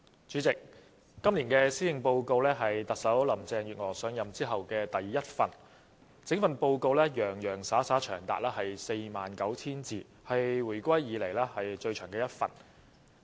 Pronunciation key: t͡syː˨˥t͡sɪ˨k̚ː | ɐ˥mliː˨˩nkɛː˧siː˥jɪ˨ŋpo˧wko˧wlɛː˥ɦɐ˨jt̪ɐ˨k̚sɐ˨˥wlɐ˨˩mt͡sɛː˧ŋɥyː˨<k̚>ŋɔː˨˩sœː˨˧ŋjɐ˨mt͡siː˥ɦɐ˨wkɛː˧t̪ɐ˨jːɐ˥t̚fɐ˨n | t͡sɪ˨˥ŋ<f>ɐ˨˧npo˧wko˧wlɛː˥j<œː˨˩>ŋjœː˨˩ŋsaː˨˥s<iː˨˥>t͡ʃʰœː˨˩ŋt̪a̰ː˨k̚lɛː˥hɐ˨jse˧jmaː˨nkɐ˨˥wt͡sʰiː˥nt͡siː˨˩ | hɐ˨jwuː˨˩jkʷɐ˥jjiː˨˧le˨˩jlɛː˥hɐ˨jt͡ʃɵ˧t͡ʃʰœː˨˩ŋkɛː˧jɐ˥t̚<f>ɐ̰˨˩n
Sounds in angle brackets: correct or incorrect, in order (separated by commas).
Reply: incorrect, correct, correct, incorrect, correct